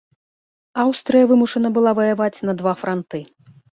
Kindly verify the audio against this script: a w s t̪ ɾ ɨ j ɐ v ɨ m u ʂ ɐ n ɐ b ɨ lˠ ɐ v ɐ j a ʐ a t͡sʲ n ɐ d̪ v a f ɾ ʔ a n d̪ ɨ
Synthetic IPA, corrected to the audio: a w s t̪ ɾ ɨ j ɐ v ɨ m u ʂ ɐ n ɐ b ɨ lˠ a v ɐ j a v a t͡sʲ n ɐ d̪ v a f ɾ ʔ a n t̪ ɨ